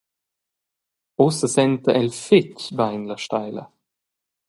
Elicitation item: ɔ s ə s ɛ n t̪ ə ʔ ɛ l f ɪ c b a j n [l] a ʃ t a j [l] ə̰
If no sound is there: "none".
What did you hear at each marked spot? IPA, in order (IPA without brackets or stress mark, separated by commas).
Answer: l, l